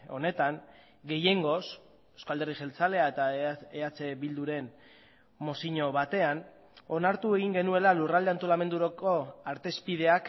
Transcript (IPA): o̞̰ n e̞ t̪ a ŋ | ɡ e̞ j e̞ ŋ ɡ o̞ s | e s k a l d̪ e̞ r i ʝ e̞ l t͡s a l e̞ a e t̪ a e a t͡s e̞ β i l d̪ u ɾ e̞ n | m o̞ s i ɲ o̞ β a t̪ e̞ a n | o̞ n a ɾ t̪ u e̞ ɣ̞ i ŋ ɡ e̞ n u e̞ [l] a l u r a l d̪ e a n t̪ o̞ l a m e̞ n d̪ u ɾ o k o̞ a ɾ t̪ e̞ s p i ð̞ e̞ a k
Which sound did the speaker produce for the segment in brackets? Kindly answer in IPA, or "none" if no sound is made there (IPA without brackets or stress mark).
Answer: l